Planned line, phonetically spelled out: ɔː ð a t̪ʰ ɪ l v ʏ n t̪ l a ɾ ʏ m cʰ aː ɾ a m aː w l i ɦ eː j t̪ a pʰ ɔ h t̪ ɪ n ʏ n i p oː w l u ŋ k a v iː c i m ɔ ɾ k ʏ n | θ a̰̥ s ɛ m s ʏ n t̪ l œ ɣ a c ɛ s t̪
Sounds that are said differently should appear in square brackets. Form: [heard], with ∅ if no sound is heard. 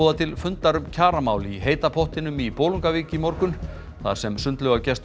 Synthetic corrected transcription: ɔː ð a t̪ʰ ɪ l [f] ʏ n t̪ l a ɾ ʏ m cʰ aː ɾ a m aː w l i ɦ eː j t̪ a pʰ ɔ h t̪ ɪ n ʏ [m] i p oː w l u ŋ k a v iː c [ɪ] m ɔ ɾ k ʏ n | θ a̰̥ s ɛ m s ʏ n t̪ l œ ɣ a c ɛ s t̪